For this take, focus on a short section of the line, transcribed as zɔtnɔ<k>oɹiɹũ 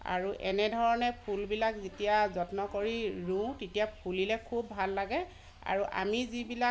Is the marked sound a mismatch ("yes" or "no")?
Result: no